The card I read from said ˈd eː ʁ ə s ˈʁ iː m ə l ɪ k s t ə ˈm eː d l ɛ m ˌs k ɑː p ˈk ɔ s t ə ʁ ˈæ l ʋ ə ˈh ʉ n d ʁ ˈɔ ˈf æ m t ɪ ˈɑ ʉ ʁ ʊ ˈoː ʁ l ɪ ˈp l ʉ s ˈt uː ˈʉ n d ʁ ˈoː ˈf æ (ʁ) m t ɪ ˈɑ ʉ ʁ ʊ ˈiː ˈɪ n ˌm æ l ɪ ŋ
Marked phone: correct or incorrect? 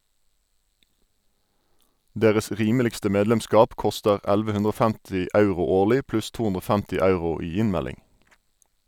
incorrect: none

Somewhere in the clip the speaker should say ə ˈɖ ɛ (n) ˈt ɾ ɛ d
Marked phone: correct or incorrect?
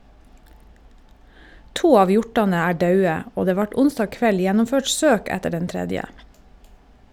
correct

